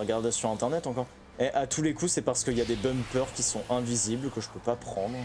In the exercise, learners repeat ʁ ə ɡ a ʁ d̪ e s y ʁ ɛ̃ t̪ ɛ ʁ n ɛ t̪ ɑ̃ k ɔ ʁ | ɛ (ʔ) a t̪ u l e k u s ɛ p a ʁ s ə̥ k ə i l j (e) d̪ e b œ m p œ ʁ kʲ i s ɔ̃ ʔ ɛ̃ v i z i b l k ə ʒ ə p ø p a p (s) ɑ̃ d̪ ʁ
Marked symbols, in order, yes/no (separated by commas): yes, no, no